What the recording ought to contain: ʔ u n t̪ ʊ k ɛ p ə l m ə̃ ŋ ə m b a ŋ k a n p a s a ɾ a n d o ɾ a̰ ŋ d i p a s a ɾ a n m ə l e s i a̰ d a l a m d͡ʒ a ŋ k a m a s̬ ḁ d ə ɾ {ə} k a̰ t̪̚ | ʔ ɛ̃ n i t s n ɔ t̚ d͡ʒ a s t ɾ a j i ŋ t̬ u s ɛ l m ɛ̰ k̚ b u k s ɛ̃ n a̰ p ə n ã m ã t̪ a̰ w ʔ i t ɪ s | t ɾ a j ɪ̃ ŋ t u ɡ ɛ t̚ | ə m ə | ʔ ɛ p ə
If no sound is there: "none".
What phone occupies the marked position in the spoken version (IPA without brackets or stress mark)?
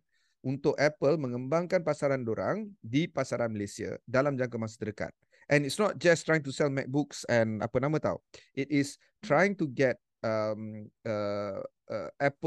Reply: ə